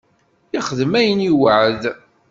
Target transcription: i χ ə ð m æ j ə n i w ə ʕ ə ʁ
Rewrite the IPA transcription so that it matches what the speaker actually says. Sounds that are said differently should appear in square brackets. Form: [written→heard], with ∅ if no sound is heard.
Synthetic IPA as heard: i χ ə ð m æ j ə n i w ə ʕ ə [ʁ→ð]